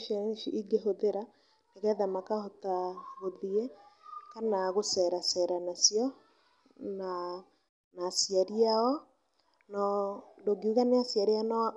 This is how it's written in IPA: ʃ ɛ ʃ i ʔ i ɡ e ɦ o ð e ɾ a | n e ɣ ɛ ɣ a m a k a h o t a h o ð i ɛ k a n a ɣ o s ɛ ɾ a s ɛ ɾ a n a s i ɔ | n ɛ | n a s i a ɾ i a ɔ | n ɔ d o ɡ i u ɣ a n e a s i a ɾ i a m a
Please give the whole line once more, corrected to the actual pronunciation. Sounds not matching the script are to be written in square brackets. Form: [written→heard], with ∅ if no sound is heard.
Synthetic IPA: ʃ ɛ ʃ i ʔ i ɡ e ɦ o ð e ɾ a | n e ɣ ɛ [ɣ→ð] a m a k a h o t a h o ð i ɛ k a n a ɣ o s ɛ ɾ a s ɛ ɾ a n a s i ɔ | n [ɛ→a] | n a s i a ɾ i a ɔ | n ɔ d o ɡ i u ɣ a n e a s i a ɾ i a [m→n] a

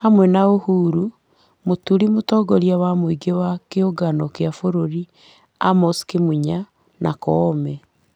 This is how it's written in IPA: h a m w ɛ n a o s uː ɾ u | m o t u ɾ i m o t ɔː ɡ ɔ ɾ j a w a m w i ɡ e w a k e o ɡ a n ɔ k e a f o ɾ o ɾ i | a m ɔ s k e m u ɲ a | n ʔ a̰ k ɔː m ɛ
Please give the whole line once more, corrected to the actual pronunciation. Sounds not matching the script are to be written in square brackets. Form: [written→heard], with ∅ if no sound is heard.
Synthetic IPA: h a m w ɛ n a o [s→h] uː ɾ u | m o t u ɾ i m o t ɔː ɡ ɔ ɾ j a w a m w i ɡ e w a k e o ɡ a n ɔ k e a f o ɾ o ɾ i | a m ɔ s k e m u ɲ a | n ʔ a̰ k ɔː m ɛ

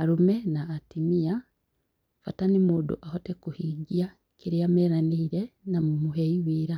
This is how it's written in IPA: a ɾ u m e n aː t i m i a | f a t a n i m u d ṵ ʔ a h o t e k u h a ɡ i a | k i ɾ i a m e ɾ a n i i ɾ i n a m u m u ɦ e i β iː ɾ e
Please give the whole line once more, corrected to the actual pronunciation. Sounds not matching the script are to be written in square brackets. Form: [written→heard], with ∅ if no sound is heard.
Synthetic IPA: a ɾ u m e n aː t i m i a | f a t a n i m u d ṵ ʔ a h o t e k u h [a→i] ɡ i a | k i ɾ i a m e ɾ a n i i ɾ [i→e] n a m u m u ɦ e i [β→w] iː ɾ [e→a]

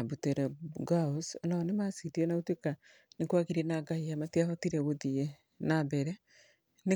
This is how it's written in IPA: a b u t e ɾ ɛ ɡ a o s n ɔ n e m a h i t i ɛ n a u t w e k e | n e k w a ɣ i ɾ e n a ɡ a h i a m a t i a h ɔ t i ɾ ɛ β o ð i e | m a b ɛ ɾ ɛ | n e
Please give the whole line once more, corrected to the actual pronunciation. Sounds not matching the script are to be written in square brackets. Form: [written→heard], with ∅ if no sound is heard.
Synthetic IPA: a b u t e ɾ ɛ ɡ a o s n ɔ n e m a [h→s] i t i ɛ n a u t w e k [e→a] | n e k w a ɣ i ɾ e n a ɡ a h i a m a t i a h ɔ t i ɾ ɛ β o ð i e | [m→n] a b ɛ ɾ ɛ | n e

